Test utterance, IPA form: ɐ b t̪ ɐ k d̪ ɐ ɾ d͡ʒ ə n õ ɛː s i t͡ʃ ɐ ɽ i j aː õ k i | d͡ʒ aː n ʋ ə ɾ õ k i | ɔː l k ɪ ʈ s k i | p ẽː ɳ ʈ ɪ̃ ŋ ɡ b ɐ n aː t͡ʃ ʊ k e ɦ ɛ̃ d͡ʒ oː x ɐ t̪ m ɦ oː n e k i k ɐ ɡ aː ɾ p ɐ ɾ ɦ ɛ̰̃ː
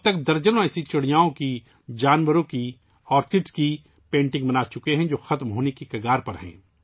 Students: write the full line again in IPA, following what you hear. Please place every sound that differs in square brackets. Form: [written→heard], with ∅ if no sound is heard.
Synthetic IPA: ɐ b t̪ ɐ k d̪ ɐ ɾ d͡ʒ ə n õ ɛː s i t͡ʃ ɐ ɽ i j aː õ k i | d͡ʒ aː n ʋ ə ɾ õ k i | ɔː [l→ɾ] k ɪ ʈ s k i | p ẽː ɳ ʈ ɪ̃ ŋ ɡ b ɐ n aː t͡ʃ ʊ k e ɦ ɛ̃ d͡ʒ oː x ɐ t̪ m ɦ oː n e k i k ɐ ɡ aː ɾ p ɐ ɾ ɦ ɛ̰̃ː